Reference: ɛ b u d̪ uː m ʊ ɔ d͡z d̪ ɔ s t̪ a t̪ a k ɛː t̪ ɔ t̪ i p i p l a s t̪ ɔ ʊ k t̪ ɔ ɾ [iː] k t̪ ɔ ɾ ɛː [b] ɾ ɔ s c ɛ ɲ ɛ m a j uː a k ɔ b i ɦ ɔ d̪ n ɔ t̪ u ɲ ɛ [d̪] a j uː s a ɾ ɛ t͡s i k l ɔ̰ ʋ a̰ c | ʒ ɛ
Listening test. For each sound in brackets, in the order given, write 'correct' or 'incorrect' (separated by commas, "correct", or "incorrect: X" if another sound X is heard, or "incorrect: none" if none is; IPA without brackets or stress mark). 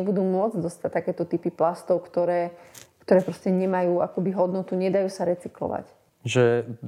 incorrect: ɛː, incorrect: p, correct